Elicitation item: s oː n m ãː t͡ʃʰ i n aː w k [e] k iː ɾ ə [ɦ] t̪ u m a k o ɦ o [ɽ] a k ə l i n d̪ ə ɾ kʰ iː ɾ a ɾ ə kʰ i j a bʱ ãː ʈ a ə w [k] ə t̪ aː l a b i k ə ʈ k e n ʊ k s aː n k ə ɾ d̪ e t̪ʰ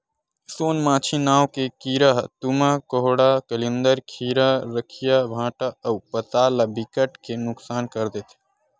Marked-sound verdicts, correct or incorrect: correct, correct, correct, incorrect: p

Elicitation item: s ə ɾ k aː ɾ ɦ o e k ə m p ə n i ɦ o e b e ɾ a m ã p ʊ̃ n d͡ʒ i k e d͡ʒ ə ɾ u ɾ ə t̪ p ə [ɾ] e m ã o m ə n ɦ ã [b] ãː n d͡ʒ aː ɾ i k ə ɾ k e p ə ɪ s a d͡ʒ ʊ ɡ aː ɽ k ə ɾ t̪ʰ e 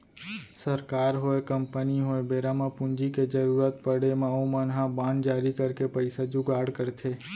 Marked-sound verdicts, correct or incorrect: incorrect: ɽ, correct

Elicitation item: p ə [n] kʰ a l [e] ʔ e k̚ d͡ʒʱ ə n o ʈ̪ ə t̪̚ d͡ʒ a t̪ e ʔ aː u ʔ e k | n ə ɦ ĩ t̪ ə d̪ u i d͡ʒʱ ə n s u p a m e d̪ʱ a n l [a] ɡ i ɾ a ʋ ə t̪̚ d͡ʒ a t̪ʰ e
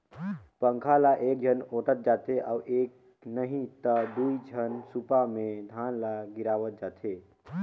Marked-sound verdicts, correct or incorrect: incorrect: ŋ, incorrect: a, correct

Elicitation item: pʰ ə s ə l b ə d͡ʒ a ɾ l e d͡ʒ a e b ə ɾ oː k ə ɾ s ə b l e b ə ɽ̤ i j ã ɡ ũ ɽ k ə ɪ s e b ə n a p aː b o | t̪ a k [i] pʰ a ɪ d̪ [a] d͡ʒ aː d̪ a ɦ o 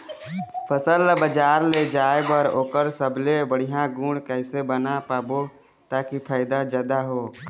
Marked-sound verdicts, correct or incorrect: correct, correct

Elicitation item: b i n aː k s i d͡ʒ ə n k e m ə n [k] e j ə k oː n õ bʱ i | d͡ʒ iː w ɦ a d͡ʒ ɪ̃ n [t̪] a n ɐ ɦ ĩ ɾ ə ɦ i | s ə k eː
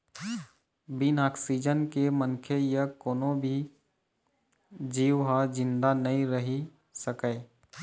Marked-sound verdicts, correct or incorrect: incorrect: kʰ, incorrect: d̪

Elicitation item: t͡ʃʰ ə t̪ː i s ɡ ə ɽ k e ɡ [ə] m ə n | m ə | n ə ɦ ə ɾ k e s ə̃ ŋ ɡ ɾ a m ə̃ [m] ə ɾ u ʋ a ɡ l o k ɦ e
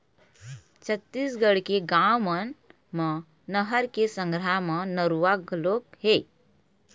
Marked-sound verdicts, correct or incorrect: incorrect: a, incorrect: n

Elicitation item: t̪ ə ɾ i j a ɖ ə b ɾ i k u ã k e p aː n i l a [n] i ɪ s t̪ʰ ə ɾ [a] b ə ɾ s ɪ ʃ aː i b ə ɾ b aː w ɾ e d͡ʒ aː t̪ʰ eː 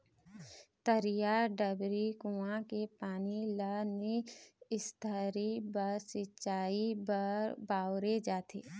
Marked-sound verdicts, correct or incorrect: correct, incorrect: i

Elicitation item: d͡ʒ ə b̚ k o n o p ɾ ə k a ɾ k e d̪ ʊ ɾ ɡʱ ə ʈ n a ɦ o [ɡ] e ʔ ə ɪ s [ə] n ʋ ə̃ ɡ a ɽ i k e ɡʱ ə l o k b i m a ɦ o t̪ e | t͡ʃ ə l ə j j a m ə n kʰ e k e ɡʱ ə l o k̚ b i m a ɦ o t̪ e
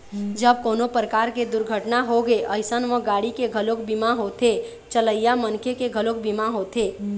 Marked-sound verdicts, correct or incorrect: correct, correct

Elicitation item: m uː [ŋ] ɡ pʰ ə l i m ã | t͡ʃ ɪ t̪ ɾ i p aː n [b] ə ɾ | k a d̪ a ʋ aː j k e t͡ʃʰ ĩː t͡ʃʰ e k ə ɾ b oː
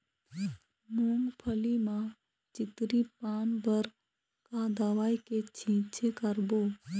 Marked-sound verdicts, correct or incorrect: correct, correct

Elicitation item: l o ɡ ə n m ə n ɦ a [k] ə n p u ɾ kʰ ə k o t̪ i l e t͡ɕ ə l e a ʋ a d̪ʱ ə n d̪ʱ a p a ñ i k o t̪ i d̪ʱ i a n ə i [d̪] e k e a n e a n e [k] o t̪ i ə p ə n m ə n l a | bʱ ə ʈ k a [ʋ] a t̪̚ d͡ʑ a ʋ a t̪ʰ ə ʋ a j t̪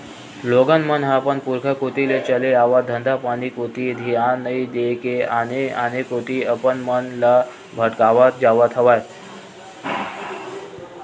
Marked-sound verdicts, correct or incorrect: incorrect: p, correct, correct, correct

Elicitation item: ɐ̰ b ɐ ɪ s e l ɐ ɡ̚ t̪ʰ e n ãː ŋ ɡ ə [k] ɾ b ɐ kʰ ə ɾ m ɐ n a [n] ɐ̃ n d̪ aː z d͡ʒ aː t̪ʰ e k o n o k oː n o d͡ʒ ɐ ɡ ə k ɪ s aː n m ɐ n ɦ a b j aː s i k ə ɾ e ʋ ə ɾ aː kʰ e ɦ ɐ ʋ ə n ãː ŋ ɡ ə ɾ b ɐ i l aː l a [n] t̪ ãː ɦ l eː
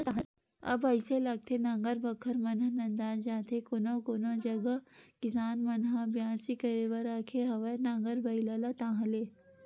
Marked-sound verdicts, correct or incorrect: incorrect: none, correct, incorrect: none

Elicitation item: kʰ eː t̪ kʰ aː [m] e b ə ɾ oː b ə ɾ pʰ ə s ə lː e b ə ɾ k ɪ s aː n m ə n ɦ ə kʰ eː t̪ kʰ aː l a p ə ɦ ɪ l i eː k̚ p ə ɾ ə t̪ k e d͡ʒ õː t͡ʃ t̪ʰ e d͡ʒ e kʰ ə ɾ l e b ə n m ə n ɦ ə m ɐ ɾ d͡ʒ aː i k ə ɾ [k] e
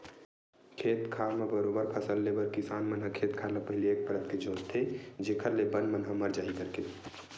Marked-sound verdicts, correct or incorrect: correct, correct

